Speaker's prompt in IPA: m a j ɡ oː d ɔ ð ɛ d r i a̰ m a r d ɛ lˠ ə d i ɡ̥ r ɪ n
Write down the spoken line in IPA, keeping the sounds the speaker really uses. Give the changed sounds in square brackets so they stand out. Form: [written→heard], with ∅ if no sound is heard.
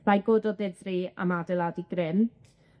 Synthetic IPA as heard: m a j ɡ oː d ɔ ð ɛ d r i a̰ m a [r→∅] d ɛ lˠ [ə→a] d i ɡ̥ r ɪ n